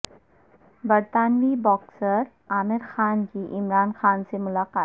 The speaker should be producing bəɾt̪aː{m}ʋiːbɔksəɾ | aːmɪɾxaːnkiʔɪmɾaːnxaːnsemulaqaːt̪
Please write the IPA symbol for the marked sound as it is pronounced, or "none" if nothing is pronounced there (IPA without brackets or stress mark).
n